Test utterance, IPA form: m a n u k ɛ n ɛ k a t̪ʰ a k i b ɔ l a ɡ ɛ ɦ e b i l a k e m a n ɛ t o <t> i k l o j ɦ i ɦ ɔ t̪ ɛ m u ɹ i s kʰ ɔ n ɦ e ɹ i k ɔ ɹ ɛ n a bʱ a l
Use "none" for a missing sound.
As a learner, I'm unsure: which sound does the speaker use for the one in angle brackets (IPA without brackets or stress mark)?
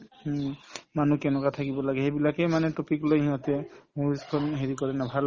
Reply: p